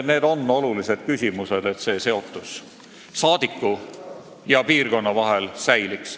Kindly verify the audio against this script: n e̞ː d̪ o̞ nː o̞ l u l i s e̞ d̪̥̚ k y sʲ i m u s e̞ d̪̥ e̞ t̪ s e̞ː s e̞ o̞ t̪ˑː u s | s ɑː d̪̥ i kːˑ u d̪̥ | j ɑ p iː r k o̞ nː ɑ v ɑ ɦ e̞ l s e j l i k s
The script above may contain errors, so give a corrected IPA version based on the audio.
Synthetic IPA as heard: n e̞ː d̪ o̞ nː o̞ l u l i s e̞ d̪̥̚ k y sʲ i m u s e̞ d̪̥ e̞ t̪ s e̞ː s e̞ o̞ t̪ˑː u s | s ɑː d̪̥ i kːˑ u | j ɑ p iː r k o̞ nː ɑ v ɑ ɦ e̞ l s æ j l i k s